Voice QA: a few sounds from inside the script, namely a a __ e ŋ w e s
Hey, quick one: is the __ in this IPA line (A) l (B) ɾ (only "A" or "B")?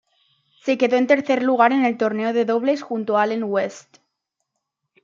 A